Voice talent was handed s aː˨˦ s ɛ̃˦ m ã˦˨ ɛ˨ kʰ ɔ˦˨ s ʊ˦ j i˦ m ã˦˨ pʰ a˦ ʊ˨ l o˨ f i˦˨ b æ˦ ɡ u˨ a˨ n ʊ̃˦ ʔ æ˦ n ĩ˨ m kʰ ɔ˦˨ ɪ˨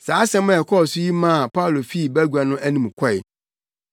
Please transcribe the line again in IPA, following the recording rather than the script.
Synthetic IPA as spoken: s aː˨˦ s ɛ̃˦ m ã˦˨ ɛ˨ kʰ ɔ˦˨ s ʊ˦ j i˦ m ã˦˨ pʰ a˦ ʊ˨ l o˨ f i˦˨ b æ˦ ɡ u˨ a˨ n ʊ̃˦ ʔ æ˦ n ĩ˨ m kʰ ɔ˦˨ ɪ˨

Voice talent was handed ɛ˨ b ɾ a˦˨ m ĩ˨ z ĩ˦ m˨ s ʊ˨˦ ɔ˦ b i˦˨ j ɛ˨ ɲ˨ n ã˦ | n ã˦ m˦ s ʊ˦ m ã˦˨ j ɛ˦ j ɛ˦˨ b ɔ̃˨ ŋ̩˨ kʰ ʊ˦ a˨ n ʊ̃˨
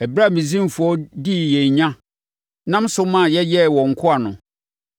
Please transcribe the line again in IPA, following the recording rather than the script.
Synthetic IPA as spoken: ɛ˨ b ɾ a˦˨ m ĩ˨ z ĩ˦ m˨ f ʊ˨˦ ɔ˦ d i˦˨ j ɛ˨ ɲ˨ ɲ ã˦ | n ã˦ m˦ s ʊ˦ m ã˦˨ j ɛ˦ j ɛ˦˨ w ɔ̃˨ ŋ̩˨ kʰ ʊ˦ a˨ n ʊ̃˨

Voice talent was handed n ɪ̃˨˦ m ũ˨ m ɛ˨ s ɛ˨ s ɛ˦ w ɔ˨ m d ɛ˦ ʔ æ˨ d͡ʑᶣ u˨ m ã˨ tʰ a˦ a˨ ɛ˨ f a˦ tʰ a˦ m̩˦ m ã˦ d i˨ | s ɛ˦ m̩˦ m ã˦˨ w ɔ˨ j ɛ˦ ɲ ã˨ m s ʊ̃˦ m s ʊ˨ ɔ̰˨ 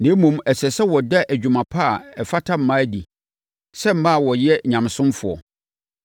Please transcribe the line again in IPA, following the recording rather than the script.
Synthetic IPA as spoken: n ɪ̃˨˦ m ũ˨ m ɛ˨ s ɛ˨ s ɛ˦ w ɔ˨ d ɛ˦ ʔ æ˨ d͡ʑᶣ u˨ m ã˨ pʰ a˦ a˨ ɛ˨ f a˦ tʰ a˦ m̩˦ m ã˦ d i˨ | s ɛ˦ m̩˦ m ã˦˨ w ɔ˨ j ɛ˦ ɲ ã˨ m s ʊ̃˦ m f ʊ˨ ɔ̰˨

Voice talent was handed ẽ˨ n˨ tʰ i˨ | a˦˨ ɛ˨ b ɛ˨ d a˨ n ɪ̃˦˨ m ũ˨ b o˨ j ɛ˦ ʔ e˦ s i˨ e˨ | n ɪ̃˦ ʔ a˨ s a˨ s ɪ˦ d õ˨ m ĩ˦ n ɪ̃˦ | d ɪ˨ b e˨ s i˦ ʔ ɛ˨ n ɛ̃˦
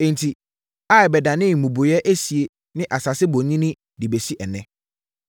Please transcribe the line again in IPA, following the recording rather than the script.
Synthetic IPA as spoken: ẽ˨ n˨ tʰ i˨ | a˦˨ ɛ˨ b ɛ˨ d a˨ n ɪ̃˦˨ m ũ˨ b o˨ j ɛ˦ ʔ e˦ s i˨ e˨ | n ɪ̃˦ ʔ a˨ s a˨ s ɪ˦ b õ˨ ɲ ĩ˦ n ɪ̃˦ | d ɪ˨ b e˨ s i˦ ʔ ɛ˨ n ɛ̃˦

